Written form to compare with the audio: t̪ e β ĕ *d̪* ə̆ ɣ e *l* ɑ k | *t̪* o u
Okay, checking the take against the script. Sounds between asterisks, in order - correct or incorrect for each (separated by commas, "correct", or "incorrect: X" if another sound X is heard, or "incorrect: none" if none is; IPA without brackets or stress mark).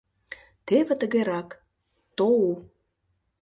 incorrect: t̪, incorrect: ɾ, correct